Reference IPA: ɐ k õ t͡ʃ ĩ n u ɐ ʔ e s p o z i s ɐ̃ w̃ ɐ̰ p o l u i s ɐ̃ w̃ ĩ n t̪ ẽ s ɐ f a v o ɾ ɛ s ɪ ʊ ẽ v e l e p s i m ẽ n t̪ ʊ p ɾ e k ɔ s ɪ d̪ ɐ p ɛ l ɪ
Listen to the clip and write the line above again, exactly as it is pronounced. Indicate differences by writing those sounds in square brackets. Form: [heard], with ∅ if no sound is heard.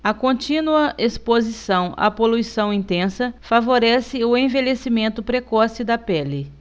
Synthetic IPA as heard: ɐ k õ t͡ʃ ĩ n u ɐ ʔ e s p o z i s ɐ̃ w̃ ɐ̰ p o l u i s ɐ̃ w̃ ĩ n t̪ ẽ s ɐ f a v o ɾ ɛ s ɪ ʊ ẽ v e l e [∅] s i m ẽ n t̪ ʊ p ɾ e k ɔ s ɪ d̪ ɐ p ɛ l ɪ